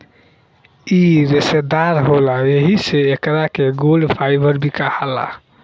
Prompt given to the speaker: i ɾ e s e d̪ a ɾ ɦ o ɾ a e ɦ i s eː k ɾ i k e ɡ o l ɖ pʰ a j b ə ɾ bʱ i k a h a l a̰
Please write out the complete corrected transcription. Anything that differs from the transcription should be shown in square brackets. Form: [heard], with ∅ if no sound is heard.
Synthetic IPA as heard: i ɾ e s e d̪ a ɾ ɦ o [l] a e ɦ i s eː k ɾ [a] k e ɡ o l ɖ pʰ a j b ə ɾ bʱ i k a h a l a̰